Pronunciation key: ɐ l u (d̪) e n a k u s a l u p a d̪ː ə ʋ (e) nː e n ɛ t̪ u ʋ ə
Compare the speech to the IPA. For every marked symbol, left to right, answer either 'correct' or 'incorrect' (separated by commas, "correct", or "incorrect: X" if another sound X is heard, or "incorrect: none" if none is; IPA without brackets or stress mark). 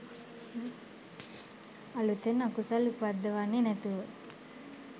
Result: incorrect: t̪, incorrect: a